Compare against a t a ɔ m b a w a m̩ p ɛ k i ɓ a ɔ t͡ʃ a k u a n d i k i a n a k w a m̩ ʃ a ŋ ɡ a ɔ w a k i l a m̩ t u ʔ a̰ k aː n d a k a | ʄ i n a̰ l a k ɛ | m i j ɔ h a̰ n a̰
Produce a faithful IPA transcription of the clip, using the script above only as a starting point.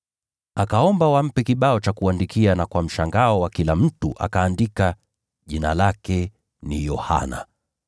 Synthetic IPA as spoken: a k a ɔ m b a w a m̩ p ɛ k i ɓ a ɔ t͡ʃ a k u a n d i k i a n a k w a m̩ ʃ a ŋ ɡ a ɔ w a k i l a m̩ t u ʔ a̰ k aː n d i k a | ʄ i n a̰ l a k ɛ | n i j ɔ h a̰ n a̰